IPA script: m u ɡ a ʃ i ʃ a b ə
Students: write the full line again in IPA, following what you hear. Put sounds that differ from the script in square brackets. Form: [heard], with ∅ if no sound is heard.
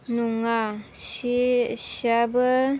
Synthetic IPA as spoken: [n] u [ŋ] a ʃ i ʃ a b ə